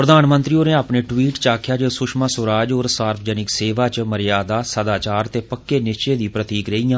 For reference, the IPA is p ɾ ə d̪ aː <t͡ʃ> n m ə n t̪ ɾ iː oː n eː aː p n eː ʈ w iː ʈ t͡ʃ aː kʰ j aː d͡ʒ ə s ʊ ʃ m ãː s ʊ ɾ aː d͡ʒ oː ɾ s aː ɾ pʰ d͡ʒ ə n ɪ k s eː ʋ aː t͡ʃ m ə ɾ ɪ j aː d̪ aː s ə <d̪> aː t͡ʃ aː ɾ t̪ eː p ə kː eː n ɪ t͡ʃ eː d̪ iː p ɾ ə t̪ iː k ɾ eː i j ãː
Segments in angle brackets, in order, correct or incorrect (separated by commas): incorrect, correct